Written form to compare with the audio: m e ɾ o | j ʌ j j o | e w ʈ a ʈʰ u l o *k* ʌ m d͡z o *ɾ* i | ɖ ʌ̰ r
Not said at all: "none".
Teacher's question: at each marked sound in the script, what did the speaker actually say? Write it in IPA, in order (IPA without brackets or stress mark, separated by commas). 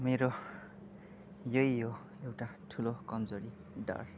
k, ɾ